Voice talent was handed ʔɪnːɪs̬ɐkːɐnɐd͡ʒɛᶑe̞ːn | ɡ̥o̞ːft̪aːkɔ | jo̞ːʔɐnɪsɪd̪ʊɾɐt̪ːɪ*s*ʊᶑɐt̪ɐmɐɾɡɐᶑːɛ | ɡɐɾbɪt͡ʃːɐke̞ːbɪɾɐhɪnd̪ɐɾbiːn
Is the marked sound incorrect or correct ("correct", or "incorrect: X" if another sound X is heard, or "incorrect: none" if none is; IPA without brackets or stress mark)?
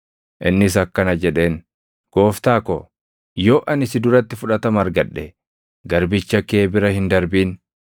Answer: incorrect: f